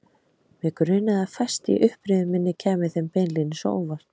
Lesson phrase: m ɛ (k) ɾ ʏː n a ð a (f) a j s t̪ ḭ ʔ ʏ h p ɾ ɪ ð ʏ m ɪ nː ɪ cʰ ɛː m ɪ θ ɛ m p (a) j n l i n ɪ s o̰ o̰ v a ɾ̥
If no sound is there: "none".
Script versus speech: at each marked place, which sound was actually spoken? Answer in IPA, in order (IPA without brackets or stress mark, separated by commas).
k, f, e